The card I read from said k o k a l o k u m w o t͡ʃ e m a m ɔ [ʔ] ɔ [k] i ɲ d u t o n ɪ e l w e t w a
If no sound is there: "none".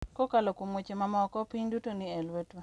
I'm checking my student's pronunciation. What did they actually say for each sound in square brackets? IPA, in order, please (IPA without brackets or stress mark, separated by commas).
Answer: k, p